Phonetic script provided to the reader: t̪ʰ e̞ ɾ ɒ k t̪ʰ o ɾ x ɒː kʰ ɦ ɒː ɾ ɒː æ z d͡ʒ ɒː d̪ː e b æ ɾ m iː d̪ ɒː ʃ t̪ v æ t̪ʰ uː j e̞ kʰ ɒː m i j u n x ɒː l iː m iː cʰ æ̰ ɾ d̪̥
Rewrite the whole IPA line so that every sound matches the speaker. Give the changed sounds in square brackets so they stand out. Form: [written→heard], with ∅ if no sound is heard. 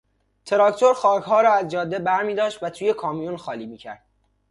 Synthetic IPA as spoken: t̪ʰ e̞ ɾ ɒ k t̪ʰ o ɾ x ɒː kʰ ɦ ɒː ɾ ɒː æ z d͡ʒ ɒː d̪ː e b æ ɾ m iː d̪ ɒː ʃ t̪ v æ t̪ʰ uː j e̞ kʰ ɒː m i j u n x ɒː l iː m iː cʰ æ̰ ɾ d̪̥